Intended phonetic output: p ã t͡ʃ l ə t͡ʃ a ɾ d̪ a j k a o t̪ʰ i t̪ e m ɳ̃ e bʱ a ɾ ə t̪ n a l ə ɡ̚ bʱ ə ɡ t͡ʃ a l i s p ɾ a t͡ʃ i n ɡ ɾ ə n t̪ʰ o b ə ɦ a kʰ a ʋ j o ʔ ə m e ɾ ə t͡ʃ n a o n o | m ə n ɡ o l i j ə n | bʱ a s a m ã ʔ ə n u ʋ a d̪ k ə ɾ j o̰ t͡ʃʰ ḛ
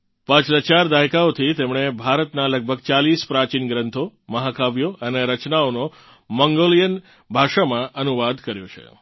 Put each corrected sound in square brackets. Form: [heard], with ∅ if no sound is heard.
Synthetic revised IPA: p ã t͡ʃ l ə t͡ʃ a ɾ d̪ a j k a o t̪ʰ i t̪ e m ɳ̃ e bʱ a ɾ ə t̪ n a l ə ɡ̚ bʱ ə ɡ t͡ʃ a l i s p ɾ a t͡ʃ i n ɡ ɾ ə n t̪ʰ o [m] ə ɦ a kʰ a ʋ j o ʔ ə [n] e ɾ ə t͡ʃ n a o n o | m ə [ŋ] ɡ o l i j ə n | bʱ a [ʃ] a m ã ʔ ə n u ʋ a d̪ k ə ɾ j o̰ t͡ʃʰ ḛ